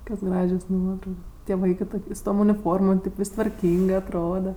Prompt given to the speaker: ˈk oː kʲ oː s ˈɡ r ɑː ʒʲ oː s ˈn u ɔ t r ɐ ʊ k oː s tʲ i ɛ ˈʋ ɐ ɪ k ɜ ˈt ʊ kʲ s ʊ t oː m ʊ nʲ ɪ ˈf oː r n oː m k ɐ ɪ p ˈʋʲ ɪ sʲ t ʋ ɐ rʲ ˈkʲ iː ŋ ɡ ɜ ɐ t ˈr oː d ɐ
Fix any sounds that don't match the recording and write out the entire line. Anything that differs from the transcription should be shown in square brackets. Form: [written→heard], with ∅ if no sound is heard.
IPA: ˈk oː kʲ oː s ˈɡ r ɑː ʒʲ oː s ˈn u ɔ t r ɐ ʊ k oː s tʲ i ɛ ˈʋ ɐ ɪ k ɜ ˈt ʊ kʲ s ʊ t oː m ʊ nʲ ɪ ˈf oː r [n→m] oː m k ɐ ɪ p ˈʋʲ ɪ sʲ t ʋ ɐ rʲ ˈkʲ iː ŋ ɡ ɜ ɐ t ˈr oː d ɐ